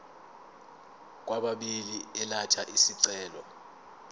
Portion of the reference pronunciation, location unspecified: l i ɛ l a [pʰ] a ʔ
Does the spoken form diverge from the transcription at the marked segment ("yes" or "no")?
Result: yes